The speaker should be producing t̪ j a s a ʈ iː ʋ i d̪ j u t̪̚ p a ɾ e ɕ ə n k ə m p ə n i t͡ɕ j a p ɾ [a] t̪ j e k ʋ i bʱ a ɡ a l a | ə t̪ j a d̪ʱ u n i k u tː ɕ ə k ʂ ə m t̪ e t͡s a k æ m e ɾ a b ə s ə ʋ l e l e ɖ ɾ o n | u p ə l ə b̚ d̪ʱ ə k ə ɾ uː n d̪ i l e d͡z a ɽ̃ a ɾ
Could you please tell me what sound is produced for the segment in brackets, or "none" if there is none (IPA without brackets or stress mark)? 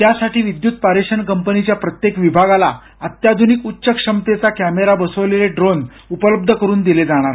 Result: ə